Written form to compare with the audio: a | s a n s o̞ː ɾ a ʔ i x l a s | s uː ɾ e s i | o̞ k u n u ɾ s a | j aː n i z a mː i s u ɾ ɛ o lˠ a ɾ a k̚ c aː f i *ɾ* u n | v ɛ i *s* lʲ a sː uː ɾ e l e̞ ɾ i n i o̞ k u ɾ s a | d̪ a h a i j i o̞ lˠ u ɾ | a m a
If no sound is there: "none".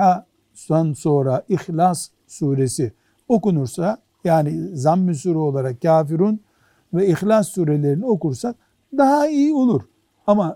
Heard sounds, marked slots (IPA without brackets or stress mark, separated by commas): ɾ, x